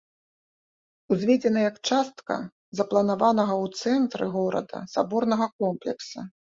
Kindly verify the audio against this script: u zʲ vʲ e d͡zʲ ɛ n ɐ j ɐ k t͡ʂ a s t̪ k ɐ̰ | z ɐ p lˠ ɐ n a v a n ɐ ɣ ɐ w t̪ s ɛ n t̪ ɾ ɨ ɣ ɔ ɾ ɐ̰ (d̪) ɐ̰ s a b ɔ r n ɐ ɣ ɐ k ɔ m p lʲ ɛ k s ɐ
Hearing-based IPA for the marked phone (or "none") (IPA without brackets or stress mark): d̪